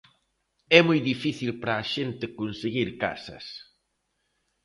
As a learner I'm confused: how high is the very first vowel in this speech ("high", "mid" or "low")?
mid